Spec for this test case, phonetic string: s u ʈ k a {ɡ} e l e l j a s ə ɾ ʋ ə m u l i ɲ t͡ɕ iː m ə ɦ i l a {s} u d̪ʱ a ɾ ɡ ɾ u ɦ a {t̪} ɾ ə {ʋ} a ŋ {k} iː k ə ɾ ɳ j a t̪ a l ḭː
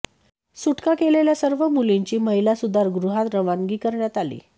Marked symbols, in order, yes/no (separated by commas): no, yes, yes, yes, no